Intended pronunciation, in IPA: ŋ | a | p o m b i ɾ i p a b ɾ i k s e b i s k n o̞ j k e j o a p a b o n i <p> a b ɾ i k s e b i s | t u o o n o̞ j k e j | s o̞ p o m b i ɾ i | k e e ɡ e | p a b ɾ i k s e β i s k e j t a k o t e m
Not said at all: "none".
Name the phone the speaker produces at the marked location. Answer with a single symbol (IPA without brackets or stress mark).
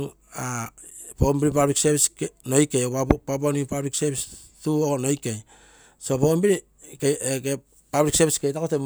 p